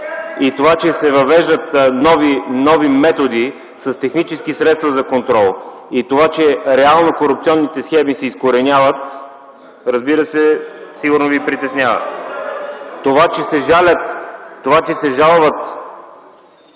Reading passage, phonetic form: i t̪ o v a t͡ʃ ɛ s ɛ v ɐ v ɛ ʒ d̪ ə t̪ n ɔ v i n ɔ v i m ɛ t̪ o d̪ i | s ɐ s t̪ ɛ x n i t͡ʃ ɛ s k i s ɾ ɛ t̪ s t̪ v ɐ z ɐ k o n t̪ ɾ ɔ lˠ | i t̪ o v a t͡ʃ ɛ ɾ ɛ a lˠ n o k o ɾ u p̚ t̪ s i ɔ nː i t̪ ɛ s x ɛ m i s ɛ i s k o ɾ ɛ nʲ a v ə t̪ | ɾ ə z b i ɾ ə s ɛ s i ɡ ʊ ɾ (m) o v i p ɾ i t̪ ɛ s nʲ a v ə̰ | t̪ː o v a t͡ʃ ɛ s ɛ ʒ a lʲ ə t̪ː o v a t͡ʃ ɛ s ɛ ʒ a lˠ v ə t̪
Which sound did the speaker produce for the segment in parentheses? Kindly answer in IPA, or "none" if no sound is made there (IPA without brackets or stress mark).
n